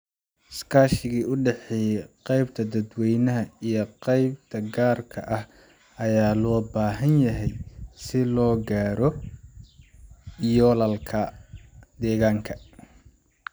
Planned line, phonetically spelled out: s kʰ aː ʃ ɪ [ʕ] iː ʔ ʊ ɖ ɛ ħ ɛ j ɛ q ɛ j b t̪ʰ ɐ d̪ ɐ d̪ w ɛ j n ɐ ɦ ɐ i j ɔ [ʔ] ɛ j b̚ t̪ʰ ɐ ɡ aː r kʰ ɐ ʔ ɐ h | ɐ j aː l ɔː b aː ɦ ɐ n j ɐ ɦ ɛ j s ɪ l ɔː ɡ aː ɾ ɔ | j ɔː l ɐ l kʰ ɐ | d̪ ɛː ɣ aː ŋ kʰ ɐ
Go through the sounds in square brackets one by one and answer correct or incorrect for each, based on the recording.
incorrect: ɣ, incorrect: q

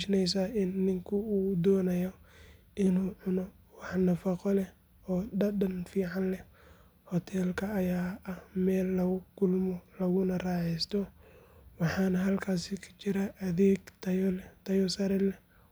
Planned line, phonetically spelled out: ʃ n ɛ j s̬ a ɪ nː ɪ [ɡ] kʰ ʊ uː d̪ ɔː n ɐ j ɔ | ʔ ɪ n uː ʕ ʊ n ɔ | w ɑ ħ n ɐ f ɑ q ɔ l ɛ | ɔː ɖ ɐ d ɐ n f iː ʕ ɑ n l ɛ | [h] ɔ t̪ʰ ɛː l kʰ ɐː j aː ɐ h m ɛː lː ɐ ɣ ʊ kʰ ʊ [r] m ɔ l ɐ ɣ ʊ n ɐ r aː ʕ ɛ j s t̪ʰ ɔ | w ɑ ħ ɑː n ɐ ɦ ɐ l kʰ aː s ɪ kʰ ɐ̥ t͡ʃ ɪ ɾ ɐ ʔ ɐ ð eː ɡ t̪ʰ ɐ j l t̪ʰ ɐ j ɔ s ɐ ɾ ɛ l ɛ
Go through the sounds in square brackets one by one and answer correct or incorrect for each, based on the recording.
incorrect: ŋ, correct, incorrect: l

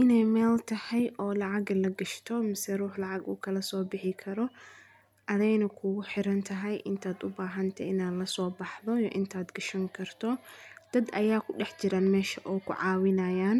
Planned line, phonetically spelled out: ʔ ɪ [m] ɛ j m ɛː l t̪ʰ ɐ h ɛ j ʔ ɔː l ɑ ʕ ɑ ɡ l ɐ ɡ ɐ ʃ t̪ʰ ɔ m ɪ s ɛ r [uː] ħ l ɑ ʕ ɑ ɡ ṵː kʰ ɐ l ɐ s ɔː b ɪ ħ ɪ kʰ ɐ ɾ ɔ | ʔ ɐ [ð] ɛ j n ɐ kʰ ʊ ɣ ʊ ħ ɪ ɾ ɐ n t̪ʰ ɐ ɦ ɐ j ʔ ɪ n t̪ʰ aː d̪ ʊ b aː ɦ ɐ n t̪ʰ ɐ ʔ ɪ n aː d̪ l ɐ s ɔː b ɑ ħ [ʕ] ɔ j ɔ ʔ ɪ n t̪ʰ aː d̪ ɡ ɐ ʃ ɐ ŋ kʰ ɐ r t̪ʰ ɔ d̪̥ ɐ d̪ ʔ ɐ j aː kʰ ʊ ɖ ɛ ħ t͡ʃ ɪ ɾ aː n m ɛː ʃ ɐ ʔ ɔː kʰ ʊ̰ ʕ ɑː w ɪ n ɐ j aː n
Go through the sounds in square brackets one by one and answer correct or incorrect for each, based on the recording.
incorrect: n, correct, correct, incorrect: ð

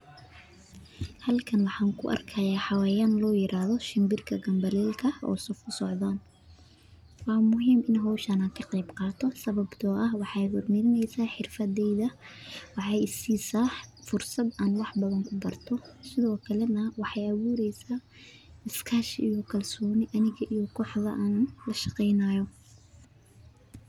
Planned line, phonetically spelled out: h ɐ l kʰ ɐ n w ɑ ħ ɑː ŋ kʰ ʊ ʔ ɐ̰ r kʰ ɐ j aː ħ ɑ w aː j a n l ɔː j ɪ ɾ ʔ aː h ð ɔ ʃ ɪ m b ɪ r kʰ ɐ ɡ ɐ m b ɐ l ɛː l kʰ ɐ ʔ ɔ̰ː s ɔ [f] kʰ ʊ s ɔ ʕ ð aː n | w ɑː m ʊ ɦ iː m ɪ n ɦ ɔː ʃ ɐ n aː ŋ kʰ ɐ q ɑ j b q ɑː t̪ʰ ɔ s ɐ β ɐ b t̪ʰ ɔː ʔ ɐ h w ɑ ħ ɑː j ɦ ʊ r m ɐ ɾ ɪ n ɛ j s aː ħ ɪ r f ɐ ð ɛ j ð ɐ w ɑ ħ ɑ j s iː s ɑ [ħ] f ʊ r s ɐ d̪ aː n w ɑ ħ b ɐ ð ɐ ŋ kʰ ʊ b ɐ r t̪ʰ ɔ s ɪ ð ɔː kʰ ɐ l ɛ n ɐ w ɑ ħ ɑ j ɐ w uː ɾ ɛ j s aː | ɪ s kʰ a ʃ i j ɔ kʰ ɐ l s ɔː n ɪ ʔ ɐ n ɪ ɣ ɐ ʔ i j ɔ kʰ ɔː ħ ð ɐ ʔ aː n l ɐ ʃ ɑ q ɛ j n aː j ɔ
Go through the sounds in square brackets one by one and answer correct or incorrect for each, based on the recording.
correct, correct

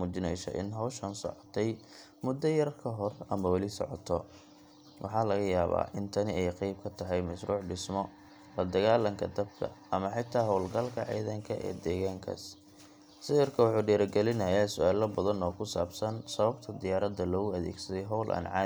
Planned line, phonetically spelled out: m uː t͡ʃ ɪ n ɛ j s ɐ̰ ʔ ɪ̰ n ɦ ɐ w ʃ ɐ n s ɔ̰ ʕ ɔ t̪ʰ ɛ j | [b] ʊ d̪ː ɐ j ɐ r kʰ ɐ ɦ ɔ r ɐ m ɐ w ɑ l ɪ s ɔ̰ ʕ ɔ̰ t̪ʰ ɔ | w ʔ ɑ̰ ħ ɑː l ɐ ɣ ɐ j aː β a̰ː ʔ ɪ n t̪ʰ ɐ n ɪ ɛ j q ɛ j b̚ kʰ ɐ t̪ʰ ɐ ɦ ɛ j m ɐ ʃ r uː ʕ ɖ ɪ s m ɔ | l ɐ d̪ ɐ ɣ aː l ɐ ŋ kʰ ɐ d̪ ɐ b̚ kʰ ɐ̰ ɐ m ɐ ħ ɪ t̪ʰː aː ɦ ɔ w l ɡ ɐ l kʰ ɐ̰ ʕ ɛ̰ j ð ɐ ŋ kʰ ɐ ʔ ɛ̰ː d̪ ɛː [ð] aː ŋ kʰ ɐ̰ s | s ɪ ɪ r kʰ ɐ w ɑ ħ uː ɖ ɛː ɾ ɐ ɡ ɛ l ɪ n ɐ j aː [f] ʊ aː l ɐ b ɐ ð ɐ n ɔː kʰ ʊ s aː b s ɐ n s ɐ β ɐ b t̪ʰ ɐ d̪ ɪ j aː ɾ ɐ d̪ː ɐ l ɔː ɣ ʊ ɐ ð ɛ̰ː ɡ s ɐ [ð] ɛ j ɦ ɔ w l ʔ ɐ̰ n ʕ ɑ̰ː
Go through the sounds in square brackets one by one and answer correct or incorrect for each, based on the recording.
incorrect: m, incorrect: ɣ, incorrect: s, correct

